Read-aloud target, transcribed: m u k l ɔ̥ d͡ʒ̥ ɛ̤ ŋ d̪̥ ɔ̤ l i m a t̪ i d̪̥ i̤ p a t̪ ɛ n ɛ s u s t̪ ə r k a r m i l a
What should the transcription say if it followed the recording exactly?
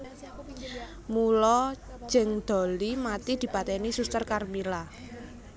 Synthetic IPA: m u l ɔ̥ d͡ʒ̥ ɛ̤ ŋ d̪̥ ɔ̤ l i m a t̪ i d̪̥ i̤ p a t̪ ɛ n i s u s t̪ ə r k a r m i l a